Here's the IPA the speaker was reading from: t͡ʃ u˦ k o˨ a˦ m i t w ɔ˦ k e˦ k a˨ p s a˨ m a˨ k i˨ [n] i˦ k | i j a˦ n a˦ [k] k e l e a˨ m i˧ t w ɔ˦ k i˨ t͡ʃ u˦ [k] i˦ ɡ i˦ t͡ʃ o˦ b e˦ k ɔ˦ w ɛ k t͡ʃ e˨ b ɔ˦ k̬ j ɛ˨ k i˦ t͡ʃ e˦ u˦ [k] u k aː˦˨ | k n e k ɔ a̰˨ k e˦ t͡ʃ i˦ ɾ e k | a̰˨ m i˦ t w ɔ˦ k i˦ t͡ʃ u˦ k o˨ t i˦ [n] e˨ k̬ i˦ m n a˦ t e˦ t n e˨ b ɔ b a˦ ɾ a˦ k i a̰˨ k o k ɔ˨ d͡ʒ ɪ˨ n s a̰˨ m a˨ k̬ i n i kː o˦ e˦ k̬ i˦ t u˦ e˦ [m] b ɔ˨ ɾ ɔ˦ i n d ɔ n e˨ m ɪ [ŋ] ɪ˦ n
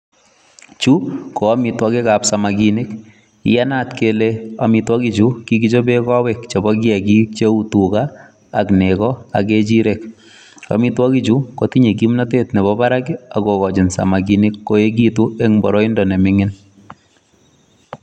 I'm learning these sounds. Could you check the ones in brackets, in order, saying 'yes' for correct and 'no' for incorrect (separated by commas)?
yes, no, yes, no, no, no, yes